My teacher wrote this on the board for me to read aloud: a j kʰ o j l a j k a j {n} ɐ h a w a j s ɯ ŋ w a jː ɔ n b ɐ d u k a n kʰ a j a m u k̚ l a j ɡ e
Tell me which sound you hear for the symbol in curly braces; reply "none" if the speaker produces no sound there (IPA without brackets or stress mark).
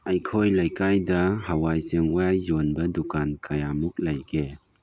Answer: d